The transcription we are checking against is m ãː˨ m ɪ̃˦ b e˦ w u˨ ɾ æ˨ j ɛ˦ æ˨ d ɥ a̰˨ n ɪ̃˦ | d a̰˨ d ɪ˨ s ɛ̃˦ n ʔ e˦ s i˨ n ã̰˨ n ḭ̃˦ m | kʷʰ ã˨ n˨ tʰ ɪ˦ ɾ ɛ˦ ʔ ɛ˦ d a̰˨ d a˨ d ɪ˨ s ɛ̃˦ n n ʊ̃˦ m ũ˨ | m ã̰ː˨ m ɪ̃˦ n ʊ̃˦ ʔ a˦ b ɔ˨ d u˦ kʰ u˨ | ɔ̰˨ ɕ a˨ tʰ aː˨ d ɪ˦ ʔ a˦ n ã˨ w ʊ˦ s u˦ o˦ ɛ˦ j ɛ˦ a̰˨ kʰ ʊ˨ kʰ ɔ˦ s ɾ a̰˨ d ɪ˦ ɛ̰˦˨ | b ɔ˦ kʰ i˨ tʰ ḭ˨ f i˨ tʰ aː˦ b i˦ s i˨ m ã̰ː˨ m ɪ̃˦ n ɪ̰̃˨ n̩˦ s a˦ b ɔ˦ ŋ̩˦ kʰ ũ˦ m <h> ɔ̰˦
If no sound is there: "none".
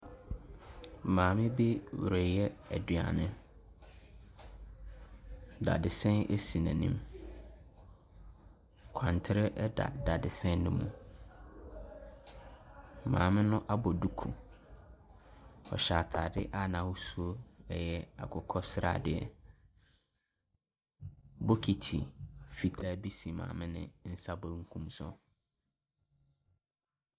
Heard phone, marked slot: s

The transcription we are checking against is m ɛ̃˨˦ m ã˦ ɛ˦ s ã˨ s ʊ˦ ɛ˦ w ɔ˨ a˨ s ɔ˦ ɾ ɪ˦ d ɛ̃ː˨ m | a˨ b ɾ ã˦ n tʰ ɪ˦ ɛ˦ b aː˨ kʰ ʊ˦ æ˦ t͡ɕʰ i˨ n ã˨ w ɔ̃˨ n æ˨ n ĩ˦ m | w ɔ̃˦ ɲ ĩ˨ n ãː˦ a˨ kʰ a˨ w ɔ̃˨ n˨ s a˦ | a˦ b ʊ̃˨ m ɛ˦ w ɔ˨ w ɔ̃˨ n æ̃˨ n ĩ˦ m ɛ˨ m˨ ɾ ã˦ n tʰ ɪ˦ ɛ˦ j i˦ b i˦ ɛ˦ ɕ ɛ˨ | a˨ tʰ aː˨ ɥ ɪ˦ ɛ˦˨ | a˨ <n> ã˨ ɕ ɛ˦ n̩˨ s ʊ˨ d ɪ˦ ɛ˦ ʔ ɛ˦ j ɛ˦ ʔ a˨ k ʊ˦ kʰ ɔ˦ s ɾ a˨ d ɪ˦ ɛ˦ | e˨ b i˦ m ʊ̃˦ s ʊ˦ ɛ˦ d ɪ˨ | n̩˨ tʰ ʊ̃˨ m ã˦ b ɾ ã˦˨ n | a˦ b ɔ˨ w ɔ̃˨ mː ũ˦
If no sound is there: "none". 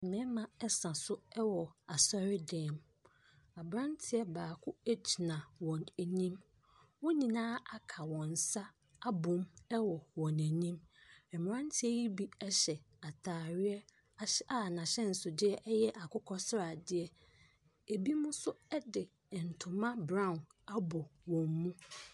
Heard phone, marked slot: n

